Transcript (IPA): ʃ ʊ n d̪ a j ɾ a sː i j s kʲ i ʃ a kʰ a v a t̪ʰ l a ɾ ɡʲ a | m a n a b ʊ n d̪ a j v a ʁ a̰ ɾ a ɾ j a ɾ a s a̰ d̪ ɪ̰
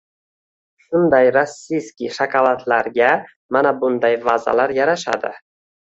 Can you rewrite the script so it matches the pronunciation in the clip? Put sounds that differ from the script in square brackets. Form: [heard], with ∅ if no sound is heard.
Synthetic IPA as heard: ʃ ʊ n d̪ a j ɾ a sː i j s kʲ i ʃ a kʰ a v a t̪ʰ l a ɾ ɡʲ a | m a n a b ʊ n d̪ a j v a [z] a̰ [l] a ɾ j a ɾ a [ʃ] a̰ d̪ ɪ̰